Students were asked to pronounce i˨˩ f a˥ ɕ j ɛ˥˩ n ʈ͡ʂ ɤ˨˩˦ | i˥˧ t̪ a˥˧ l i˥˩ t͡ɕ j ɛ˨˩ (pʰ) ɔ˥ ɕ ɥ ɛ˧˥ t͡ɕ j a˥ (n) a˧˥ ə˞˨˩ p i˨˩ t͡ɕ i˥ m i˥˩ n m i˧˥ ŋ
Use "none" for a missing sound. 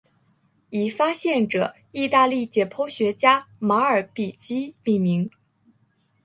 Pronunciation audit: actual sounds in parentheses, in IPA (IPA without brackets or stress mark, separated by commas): pʰ, m